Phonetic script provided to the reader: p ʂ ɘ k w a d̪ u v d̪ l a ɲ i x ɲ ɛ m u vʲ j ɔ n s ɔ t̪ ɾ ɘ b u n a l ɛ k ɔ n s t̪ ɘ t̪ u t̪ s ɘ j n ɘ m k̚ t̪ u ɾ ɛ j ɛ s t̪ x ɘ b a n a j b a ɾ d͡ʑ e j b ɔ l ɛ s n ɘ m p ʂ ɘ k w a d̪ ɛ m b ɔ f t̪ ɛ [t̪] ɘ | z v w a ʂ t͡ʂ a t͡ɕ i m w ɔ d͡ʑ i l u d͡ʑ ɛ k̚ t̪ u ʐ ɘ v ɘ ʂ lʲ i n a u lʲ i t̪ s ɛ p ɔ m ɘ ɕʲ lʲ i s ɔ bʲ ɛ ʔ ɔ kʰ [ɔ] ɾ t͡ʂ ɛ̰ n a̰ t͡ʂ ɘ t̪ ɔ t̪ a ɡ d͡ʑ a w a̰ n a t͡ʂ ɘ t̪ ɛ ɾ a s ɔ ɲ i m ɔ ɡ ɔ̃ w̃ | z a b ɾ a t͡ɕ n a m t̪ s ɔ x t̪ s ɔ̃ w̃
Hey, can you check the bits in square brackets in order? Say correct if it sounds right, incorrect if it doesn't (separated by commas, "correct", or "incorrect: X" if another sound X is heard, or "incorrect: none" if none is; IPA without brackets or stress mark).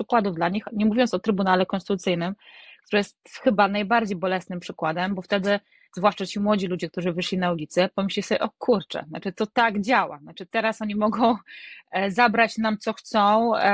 incorrect: d̪, incorrect: u